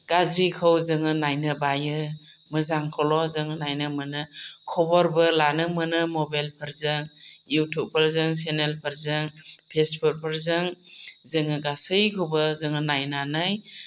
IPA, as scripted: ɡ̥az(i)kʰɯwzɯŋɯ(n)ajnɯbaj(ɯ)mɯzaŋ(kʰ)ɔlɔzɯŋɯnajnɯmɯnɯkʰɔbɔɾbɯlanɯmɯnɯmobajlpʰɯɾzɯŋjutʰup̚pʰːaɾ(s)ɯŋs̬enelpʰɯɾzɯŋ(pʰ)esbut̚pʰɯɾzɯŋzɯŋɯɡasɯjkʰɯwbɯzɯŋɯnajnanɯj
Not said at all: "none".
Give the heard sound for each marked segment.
i, n, ɯ, kʰ, z, pʰ

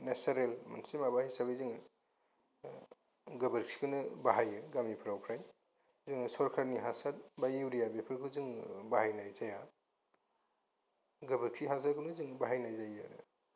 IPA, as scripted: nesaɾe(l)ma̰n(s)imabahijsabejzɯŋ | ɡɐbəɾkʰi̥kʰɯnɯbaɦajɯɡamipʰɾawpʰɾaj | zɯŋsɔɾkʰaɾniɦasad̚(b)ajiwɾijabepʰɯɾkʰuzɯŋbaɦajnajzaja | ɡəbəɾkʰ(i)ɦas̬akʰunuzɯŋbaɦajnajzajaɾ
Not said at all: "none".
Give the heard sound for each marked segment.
l, s, b, i

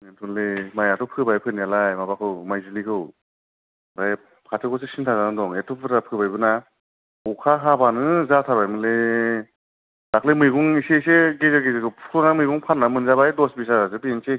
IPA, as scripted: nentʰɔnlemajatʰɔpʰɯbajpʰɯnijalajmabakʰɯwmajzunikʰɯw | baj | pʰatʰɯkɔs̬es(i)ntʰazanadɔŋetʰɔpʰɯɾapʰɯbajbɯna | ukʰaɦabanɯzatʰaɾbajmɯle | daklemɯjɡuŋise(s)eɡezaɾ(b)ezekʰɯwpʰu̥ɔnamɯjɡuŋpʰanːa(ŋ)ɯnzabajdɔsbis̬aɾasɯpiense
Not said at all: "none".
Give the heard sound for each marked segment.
i, s, ɡ, m

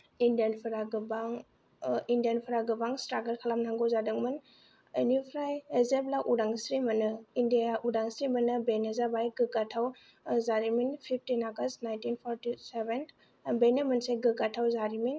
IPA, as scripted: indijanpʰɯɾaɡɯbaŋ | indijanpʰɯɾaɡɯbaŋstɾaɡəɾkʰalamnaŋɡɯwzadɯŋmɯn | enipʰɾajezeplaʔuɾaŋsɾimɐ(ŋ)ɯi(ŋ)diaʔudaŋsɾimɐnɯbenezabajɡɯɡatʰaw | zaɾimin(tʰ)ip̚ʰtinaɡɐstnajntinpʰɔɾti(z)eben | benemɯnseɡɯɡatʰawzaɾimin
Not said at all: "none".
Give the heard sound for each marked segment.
n, n, pʰ, s

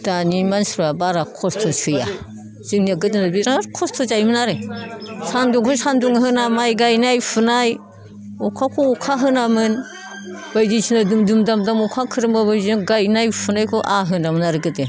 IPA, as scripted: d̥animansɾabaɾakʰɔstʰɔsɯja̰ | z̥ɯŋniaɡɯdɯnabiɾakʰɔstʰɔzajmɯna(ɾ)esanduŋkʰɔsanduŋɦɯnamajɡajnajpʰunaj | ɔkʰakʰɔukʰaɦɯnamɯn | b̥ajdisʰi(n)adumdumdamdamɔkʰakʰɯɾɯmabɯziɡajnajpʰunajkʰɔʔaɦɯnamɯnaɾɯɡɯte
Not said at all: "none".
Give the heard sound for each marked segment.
ɾ, n

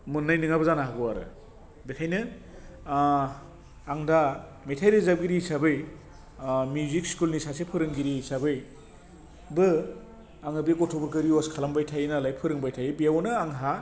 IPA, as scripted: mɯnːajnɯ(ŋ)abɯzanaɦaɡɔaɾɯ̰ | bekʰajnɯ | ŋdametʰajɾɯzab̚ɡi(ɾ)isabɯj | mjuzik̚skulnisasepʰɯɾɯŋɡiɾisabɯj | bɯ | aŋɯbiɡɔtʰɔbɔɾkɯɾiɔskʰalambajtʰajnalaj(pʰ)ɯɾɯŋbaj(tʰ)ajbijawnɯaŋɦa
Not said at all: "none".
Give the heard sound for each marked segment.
ŋ, ɾ, pʰ, tʰ

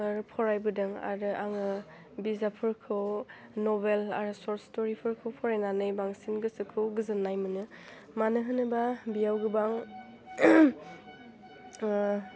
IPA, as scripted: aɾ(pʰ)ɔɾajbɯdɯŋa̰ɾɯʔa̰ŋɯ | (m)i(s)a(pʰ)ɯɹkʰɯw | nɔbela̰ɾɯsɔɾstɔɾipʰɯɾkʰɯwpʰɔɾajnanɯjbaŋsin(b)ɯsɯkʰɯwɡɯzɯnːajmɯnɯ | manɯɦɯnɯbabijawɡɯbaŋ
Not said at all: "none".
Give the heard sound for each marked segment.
pʰ, b, z, pʰ, ɡ

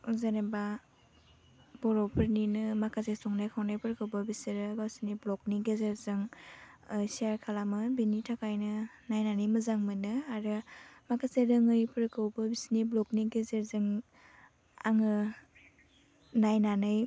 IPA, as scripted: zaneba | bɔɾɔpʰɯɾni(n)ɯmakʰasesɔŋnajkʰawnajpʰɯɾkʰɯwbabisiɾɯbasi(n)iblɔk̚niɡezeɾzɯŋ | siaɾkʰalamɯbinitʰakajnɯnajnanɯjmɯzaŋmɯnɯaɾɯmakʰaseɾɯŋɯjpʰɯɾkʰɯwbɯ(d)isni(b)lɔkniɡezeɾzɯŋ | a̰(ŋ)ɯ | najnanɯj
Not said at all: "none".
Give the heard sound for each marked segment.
n, n, b, b, ŋ

